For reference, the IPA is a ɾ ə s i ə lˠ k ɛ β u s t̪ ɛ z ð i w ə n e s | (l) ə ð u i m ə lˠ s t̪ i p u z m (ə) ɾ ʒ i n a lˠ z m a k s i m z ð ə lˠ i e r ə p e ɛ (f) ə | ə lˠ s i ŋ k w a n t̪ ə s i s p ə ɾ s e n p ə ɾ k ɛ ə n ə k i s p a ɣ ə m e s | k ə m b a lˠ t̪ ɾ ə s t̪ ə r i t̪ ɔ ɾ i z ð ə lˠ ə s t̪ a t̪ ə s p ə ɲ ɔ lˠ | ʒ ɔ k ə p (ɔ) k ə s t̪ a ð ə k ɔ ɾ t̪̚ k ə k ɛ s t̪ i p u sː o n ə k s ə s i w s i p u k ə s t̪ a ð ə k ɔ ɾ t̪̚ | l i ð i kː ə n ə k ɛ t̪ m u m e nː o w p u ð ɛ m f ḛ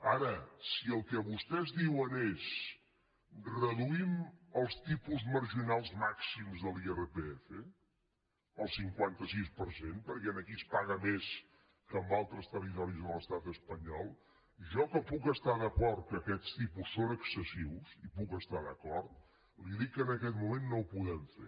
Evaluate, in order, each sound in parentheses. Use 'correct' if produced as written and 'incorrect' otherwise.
incorrect, correct, correct, incorrect

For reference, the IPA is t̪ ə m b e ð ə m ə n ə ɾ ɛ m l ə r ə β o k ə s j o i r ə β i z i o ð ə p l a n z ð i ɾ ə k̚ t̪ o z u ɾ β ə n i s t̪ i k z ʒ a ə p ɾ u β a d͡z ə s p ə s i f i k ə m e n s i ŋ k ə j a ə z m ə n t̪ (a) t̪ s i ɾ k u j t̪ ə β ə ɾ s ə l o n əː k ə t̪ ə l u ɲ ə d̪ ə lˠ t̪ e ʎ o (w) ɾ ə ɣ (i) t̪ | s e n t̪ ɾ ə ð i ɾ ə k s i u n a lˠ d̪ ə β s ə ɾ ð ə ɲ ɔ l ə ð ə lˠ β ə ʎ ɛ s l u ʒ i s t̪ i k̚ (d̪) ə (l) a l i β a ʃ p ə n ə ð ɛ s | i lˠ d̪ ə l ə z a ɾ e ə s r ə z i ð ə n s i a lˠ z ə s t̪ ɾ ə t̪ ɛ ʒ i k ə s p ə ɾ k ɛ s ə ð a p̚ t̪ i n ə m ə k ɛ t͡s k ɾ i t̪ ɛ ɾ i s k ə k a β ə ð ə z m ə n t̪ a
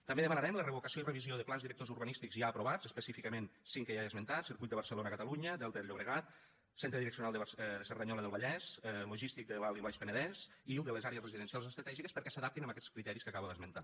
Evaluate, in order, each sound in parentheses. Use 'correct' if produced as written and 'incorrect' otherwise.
correct, incorrect, incorrect, correct, correct

